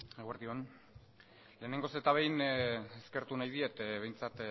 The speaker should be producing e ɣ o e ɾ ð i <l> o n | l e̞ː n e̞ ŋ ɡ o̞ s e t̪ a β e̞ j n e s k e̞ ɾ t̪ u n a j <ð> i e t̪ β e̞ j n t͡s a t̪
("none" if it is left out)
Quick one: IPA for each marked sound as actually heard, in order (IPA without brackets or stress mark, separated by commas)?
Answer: none, ð